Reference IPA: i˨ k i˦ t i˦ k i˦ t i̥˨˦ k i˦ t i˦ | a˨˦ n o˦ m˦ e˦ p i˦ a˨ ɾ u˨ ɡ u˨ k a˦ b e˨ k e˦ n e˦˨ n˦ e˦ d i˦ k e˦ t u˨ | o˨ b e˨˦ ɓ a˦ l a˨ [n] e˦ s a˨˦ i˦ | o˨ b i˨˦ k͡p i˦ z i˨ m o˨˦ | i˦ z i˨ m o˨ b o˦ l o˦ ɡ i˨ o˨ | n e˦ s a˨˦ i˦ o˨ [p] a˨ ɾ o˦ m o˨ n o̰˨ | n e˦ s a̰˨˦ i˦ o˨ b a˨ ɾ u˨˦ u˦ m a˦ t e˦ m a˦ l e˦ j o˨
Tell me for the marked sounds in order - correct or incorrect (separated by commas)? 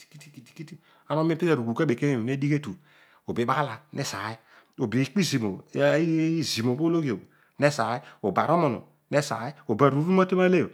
correct, incorrect